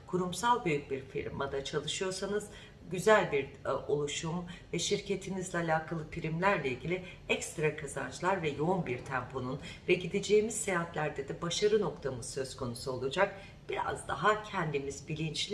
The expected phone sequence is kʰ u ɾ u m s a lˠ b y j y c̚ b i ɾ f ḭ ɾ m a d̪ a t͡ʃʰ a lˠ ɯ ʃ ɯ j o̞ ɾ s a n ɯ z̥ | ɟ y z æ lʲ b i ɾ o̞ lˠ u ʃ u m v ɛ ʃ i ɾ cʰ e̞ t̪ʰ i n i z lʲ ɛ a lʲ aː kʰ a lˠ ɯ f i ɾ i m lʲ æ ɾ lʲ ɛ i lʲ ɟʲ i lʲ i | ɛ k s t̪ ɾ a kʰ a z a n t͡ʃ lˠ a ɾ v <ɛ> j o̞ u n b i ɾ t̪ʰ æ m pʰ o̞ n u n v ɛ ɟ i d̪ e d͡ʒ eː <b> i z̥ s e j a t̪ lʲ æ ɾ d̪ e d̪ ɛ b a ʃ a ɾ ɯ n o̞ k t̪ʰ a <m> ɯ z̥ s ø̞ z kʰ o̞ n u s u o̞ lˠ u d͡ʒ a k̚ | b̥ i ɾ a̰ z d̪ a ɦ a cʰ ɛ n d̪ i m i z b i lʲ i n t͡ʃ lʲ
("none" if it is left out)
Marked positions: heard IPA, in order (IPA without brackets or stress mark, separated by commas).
ɛ, m, m